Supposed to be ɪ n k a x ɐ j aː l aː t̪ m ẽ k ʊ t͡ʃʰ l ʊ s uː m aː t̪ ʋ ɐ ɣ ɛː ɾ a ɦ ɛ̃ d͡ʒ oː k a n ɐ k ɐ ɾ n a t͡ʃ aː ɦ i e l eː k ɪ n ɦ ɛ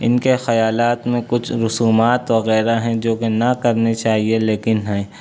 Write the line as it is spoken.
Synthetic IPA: ɪ n k e x ɐ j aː l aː t̪ m ẽ k ʊ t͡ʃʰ ɾ ʊ s uː m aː t̪ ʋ ɐ ɣ ɛː ɾ a ɦ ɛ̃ d͡ʒ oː k e n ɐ k ɐ ɾ n e t͡ʃ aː ɦ i e l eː k ɪ n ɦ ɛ